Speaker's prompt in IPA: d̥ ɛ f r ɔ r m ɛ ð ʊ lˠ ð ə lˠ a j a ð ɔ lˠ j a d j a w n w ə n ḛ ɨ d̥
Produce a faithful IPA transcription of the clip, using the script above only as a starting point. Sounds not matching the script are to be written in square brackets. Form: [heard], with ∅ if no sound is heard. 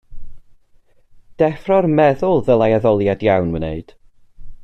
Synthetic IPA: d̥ ɛ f r ɔ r m ɛ ð ʊ lˠ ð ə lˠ a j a ð ɔ lˠ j a d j a w n w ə n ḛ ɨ d̥